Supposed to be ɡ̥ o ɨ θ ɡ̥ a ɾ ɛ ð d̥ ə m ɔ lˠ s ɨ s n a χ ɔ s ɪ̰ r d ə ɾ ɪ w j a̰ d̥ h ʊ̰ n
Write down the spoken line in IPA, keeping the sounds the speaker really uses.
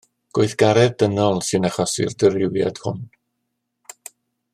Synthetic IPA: ɡ̥ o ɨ θ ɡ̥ a ɾ ɛ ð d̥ ə n ɔ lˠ s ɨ n a χ ɔ s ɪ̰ r d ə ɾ ɪ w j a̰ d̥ h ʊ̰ n